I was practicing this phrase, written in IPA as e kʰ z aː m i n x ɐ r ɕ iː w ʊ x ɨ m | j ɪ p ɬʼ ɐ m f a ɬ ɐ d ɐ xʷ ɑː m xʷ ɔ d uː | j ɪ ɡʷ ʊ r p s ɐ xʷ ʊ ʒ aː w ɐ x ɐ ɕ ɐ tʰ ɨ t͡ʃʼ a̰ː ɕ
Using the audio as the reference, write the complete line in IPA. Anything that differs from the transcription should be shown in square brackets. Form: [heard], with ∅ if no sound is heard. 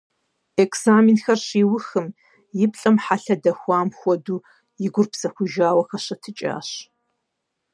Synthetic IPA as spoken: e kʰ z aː m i n x ɐ r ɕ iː w ʊ x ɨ m | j ɪ p ɬʼ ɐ m [ħ] a ɬ ɐ d ɐ xʷ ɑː m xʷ ɔ d uː | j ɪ ɡʷ ʊ r p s ɐ xʷ ʊ ʒ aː w ɐ x ɐ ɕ ɐ tʰ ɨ t͡ʃʼ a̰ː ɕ